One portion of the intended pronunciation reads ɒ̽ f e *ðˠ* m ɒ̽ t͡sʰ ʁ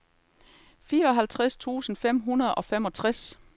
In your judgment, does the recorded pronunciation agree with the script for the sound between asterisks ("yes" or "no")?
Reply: no